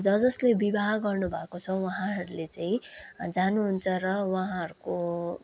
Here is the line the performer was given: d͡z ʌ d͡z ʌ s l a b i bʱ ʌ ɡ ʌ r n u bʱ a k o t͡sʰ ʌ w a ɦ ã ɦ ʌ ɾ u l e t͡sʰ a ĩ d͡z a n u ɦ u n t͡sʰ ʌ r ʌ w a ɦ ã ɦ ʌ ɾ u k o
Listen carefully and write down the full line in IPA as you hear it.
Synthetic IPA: d͡z ʌ d͡z ʌ s l e b i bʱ a ɡ ʌ r n u bʱ a k o t͡sʰ ʌ w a ɦ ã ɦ ʌ ɾ u l e t͡s a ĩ d͡z a n u ɦ u n t͡sʰ ʌ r ʌ w a ɦ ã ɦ ʌ ɾ u k o